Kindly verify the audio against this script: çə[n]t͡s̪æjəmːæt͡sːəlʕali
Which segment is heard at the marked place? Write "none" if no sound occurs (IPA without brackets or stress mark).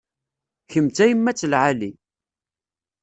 m